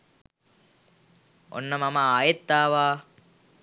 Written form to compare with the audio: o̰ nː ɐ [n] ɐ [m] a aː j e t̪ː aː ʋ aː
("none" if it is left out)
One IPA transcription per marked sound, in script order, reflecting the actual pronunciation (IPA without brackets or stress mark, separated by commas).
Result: m, m